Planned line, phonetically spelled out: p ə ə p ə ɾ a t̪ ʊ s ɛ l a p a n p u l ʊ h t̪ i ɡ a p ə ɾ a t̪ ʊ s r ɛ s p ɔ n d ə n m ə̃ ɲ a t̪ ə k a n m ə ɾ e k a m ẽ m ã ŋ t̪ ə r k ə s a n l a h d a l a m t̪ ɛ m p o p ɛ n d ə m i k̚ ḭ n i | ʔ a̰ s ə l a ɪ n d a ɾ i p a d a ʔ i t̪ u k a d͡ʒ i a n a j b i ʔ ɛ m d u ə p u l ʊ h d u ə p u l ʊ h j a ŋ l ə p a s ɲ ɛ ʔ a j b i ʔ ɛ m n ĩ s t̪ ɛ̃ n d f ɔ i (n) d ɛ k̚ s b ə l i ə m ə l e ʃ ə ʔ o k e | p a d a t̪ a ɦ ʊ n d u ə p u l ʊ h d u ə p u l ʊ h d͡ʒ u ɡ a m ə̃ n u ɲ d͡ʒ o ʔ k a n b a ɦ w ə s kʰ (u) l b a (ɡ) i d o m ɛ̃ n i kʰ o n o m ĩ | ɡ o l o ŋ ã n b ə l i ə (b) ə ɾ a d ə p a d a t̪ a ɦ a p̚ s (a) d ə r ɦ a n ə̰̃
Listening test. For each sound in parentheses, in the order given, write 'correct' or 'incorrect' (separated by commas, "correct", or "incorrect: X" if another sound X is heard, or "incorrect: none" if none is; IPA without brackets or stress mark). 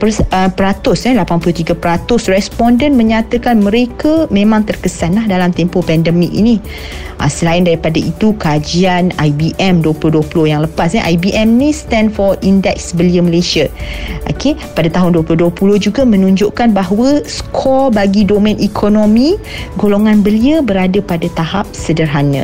correct, incorrect: ɔ, correct, correct, incorrect: ə